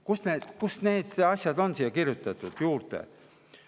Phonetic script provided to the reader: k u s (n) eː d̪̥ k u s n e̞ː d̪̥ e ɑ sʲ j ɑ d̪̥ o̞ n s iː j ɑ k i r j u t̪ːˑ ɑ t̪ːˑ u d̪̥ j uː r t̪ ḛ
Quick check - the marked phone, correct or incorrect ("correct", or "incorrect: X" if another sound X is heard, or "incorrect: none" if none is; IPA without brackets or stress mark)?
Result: correct